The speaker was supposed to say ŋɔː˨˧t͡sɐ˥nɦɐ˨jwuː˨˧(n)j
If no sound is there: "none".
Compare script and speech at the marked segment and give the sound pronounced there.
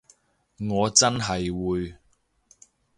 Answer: none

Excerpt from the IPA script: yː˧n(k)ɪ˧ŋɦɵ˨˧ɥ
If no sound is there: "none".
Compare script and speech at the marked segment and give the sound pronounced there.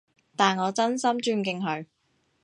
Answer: k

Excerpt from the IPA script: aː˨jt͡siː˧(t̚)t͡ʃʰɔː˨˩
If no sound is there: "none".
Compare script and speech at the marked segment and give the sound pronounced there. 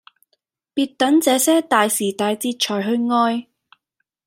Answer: t̚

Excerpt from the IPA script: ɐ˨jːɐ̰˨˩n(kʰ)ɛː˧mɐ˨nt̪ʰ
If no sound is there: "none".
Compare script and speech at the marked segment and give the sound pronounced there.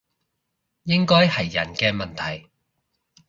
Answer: k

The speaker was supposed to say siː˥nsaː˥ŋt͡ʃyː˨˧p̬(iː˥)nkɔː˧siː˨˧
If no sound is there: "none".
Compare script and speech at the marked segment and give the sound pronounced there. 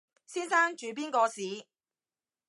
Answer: iː˥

